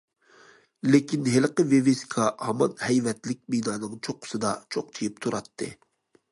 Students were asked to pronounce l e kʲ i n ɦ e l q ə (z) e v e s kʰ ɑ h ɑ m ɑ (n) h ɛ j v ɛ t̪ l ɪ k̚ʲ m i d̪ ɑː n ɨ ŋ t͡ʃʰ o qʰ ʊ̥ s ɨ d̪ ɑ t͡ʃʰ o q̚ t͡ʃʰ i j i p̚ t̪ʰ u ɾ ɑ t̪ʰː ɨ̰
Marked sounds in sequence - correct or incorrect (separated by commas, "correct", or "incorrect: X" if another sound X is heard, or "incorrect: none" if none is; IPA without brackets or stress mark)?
incorrect: v, correct